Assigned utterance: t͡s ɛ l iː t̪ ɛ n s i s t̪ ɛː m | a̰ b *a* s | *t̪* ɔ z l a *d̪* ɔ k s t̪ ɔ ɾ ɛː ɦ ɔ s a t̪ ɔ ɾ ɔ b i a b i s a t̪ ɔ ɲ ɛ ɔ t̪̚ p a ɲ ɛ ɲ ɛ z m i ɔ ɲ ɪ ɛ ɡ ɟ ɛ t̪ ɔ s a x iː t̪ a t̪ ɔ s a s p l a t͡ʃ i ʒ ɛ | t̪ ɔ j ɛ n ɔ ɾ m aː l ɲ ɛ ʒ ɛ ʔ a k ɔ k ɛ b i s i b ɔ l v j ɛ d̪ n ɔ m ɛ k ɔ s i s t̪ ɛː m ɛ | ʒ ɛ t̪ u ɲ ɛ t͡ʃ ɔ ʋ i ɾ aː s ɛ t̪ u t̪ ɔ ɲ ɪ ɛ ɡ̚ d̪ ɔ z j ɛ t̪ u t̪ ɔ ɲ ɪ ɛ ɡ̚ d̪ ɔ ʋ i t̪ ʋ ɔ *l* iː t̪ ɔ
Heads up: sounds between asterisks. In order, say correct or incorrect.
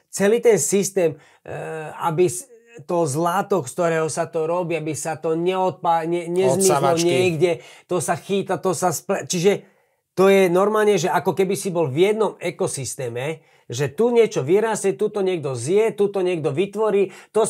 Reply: incorrect, correct, incorrect, incorrect

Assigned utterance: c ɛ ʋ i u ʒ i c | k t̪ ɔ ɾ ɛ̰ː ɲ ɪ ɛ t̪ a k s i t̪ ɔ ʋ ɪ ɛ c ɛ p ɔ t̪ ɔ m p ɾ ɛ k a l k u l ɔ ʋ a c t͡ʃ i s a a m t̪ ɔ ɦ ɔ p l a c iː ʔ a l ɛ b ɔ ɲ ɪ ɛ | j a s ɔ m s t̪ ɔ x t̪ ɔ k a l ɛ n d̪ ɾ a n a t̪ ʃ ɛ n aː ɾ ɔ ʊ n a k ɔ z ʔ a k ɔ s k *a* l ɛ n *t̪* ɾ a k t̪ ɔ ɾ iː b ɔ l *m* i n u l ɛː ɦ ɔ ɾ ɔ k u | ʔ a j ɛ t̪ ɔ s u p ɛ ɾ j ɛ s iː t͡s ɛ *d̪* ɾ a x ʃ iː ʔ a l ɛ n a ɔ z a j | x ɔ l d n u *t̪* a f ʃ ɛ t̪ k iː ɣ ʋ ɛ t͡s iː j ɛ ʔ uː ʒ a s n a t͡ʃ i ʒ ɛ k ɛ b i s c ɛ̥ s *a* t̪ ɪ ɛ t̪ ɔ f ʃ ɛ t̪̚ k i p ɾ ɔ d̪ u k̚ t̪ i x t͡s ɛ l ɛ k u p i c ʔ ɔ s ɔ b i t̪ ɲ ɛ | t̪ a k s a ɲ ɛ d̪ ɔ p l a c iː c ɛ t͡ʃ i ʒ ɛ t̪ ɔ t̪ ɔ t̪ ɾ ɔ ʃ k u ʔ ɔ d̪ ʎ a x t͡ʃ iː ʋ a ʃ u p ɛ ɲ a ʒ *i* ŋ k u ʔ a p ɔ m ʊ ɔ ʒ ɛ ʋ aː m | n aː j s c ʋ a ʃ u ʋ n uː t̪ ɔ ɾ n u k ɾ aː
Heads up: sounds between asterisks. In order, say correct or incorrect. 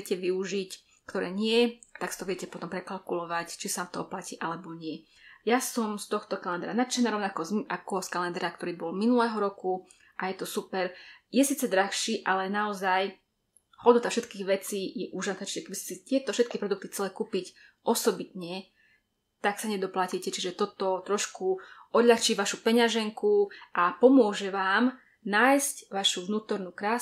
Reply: correct, incorrect, correct, correct, correct, incorrect, incorrect

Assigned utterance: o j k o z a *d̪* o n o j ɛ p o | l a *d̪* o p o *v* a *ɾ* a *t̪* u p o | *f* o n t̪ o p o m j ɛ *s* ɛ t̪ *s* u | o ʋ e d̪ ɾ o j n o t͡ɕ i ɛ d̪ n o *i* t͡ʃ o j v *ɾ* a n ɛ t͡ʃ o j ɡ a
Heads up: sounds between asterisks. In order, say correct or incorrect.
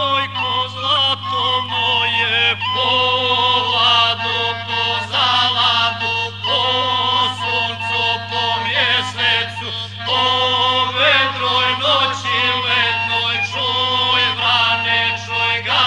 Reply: incorrect, correct, incorrect, incorrect, incorrect, incorrect, correct, correct, incorrect, correct

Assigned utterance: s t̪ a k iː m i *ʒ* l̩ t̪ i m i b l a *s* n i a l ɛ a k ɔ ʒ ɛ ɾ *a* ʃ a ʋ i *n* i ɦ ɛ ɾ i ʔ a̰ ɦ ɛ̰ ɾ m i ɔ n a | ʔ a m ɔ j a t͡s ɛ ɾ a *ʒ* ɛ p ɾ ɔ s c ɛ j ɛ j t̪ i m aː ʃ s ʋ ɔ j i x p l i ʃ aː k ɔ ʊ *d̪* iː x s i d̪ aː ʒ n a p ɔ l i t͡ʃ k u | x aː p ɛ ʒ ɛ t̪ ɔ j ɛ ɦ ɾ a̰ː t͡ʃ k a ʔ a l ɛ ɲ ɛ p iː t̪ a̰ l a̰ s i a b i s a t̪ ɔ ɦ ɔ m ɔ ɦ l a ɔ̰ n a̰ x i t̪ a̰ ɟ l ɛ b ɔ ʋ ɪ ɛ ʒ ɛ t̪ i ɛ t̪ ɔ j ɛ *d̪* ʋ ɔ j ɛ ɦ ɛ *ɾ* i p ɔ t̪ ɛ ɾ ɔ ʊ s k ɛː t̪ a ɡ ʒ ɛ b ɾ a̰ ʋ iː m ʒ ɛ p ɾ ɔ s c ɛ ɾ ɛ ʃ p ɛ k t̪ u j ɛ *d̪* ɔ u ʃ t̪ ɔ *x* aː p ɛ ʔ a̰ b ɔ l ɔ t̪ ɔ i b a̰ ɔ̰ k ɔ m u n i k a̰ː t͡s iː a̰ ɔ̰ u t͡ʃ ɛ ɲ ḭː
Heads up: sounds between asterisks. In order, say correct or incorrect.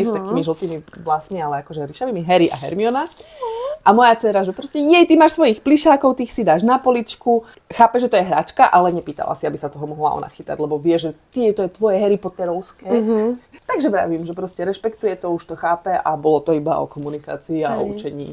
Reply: correct, correct, incorrect, incorrect, correct, incorrect, incorrect, correct, incorrect, correct

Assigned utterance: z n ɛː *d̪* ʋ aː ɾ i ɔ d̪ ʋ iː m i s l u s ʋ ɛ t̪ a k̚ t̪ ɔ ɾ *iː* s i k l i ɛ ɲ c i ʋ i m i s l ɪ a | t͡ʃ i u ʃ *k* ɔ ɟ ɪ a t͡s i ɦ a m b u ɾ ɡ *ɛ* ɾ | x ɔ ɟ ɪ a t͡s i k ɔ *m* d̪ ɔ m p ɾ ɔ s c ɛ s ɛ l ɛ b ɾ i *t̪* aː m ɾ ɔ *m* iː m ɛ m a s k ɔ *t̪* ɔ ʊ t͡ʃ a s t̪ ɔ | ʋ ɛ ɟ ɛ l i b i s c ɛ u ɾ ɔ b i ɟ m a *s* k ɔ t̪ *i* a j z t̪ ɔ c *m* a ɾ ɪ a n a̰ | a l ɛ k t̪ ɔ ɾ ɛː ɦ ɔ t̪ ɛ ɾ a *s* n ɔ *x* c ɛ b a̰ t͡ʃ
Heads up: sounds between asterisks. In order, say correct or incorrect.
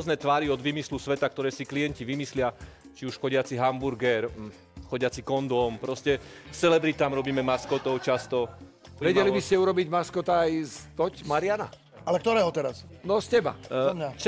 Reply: incorrect, incorrect, incorrect, correct, incorrect, correct, incorrect, correct, correct, incorrect, correct, correct, incorrect

